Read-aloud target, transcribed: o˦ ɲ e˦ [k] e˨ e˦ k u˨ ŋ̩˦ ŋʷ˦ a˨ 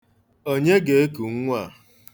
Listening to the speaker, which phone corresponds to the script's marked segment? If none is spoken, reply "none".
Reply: ɡ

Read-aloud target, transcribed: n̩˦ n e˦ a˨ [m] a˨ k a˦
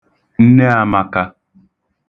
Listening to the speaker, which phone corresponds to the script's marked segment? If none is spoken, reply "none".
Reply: m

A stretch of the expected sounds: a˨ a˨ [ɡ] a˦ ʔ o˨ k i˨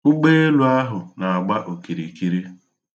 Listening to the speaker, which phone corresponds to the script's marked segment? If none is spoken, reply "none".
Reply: ɡ͡b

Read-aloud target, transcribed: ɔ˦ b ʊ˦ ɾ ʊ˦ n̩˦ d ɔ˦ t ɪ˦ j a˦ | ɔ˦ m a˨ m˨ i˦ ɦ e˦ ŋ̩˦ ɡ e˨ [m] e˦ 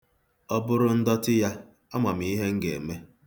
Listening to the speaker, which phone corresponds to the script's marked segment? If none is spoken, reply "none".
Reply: m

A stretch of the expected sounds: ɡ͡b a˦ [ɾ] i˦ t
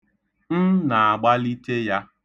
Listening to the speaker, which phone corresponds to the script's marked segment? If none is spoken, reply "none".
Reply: l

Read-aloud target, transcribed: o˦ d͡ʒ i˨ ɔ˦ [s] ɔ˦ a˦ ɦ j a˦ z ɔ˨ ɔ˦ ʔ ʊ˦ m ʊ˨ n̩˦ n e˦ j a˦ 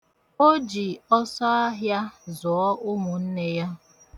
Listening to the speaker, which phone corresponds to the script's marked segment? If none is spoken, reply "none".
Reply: s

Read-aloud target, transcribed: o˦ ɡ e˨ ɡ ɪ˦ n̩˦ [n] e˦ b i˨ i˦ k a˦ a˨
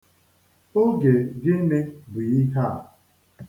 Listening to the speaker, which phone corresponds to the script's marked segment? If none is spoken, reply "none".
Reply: n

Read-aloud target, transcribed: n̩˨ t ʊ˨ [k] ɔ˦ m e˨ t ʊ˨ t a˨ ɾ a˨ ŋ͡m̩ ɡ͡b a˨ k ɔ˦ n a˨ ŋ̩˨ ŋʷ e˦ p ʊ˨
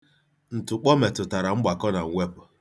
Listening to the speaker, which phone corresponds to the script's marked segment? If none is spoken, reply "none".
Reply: k͡p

